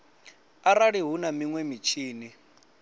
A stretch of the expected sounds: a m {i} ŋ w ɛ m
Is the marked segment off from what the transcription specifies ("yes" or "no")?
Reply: no